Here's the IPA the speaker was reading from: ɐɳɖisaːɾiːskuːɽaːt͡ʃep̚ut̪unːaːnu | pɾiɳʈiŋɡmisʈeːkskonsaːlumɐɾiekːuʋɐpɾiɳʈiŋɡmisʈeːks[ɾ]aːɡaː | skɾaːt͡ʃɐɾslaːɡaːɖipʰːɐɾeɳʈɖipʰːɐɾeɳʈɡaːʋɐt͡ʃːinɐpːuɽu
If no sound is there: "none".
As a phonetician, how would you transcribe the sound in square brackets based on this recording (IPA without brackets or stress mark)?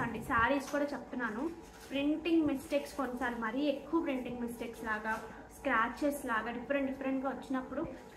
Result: l